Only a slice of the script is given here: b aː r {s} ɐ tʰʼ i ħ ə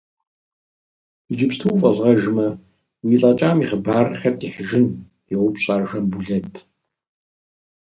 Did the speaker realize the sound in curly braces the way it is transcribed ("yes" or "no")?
no